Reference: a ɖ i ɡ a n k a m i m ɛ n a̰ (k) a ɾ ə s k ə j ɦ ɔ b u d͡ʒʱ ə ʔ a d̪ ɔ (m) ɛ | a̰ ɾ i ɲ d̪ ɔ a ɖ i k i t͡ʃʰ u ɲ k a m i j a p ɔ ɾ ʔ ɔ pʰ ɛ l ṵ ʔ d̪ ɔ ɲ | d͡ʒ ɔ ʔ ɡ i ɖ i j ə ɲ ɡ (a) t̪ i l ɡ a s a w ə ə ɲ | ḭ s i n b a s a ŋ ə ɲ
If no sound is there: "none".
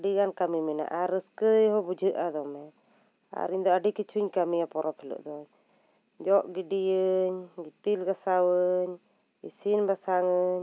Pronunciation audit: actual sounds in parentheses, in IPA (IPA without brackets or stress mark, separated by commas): ʔ, m, i